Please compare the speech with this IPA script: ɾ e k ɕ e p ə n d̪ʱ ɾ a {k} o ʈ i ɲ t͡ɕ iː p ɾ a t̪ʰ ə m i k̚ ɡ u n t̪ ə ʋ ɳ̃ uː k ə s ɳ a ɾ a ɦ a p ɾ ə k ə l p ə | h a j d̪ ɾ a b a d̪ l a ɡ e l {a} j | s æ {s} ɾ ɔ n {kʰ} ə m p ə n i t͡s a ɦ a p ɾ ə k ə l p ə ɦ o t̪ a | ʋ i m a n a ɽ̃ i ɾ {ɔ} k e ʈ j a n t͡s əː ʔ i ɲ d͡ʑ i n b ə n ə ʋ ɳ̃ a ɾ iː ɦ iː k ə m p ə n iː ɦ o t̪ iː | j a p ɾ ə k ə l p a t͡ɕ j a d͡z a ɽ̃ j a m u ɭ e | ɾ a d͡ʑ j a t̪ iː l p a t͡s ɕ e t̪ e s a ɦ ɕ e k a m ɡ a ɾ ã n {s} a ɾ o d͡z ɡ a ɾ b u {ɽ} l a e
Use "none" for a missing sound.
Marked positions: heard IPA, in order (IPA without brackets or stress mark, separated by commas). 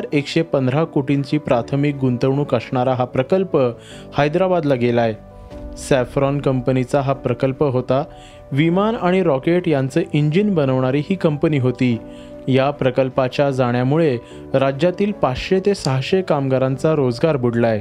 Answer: k, a, f, k, ɔ, t͡s, ɽ